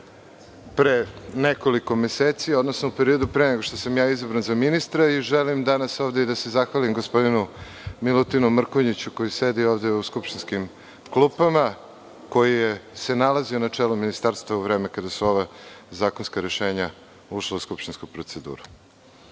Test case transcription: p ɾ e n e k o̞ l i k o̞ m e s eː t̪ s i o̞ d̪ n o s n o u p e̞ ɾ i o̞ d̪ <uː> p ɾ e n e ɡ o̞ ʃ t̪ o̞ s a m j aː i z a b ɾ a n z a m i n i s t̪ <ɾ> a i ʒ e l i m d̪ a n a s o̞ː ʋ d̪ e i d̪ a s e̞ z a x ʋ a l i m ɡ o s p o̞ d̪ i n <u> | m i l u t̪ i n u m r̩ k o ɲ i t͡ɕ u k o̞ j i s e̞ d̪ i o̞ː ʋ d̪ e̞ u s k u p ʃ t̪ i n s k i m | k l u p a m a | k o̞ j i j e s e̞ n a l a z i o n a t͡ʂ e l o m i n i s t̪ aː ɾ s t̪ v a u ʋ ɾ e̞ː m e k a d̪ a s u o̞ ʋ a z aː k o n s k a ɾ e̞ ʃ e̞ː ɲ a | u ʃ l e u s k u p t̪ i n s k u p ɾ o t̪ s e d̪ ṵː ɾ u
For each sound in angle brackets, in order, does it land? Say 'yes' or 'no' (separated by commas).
no, yes, yes